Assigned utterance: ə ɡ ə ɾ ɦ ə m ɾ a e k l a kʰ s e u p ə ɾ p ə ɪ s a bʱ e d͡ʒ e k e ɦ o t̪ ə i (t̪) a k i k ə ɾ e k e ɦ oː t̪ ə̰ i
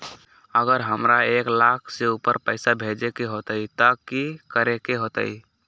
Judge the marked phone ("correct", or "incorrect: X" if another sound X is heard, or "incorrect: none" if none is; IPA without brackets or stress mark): correct